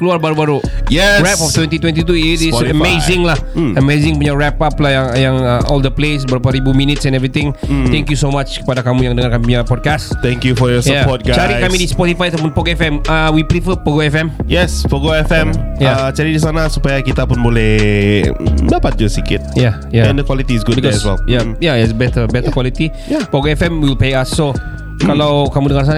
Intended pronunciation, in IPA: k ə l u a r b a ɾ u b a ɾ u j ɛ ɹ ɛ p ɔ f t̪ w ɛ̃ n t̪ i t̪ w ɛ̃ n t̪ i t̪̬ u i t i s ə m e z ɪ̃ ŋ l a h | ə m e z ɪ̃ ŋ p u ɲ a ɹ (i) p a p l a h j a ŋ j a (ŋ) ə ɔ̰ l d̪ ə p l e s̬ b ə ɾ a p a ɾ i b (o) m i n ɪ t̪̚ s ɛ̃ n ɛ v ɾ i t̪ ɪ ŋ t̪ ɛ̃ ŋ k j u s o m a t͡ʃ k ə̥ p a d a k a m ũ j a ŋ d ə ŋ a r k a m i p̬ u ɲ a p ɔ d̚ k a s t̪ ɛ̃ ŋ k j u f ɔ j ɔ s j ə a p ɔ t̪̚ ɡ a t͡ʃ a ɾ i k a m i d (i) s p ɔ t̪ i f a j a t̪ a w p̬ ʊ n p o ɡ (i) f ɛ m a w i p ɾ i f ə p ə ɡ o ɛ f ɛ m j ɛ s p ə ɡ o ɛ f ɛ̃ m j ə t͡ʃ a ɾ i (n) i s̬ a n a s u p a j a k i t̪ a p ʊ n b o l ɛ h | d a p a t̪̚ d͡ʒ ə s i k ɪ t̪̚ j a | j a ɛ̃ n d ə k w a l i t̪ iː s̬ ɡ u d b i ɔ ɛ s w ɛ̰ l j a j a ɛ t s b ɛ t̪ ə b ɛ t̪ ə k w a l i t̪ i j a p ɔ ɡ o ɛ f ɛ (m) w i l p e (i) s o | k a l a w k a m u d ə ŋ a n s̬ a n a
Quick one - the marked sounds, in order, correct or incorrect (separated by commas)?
incorrect, correct, incorrect, correct, incorrect, incorrect, correct, incorrect